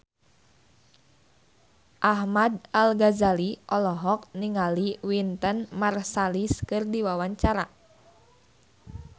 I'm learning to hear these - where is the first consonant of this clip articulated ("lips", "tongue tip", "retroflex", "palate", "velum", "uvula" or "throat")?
throat